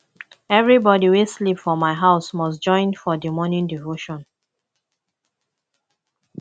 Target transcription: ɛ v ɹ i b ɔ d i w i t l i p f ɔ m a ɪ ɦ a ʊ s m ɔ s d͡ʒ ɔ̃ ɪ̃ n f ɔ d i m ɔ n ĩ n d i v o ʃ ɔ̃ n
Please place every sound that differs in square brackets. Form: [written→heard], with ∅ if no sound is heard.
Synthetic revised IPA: ɛ v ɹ i b ɔ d i w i [t→s] l i p f ɔ m a ɪ ɦ a ʊ s m ɔ s d͡ʒ ɔ̃ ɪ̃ n f ɔ d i m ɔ n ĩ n d i v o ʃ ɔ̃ n